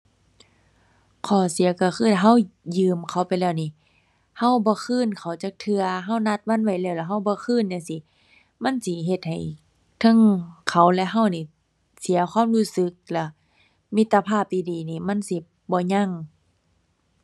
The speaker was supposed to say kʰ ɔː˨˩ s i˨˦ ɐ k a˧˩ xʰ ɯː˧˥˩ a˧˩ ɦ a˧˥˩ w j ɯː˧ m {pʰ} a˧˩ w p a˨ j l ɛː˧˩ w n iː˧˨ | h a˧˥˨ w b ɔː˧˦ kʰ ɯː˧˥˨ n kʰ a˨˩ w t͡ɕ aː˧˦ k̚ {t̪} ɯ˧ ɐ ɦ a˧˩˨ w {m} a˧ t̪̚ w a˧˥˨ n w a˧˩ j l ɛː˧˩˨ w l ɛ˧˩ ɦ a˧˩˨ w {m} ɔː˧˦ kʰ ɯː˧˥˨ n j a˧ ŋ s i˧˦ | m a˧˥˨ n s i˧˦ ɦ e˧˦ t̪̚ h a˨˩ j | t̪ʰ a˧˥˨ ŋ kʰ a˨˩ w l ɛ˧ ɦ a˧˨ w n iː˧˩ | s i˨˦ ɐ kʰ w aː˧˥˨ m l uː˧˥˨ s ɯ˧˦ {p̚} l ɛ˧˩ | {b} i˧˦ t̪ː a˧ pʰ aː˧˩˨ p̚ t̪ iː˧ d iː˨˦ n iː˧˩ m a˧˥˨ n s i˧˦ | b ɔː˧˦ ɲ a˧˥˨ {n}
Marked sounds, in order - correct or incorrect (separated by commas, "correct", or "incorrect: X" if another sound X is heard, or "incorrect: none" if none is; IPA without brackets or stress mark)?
incorrect: kʰ, incorrect: t̪ʰ, incorrect: n, incorrect: b, incorrect: k̚, incorrect: m, incorrect: ŋ